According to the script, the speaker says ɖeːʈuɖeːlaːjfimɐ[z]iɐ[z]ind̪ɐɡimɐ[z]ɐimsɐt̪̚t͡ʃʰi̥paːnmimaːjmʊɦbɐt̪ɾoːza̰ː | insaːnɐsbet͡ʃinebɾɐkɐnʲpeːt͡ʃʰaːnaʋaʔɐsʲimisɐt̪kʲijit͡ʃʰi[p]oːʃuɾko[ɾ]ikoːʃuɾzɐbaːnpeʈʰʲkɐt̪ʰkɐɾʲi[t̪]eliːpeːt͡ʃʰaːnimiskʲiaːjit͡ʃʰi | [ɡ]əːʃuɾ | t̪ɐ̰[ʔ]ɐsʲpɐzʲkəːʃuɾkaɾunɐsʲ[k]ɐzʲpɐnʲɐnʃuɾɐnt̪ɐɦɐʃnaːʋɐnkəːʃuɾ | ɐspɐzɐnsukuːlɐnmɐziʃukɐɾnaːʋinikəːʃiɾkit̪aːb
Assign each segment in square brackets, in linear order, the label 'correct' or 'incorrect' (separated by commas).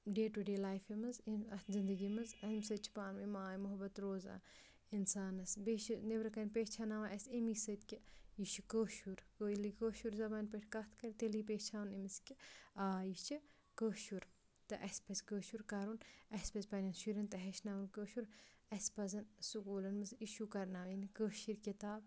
correct, correct, correct, incorrect, incorrect, correct, incorrect, correct, incorrect